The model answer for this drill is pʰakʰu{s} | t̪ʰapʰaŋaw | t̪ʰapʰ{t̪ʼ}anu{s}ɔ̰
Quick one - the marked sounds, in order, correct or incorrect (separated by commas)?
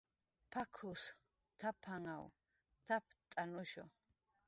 correct, correct, incorrect